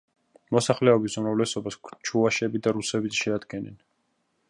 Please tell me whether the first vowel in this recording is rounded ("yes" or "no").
yes